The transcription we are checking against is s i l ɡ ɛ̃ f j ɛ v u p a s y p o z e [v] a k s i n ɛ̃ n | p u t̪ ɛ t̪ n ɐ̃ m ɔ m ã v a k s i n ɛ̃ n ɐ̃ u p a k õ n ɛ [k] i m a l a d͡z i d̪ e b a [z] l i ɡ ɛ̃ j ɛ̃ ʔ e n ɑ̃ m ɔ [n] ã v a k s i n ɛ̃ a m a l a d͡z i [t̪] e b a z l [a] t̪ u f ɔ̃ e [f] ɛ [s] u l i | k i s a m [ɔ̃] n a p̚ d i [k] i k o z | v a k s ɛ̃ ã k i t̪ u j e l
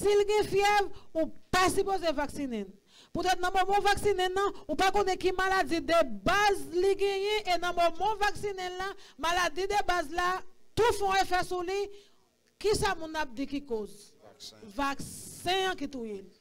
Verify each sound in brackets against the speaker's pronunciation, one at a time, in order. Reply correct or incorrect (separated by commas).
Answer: correct, correct, correct, incorrect, incorrect, correct, correct, correct, incorrect, correct